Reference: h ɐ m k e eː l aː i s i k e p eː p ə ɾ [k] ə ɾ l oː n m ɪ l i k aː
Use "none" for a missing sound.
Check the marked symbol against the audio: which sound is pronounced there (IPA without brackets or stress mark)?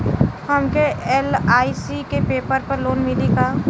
p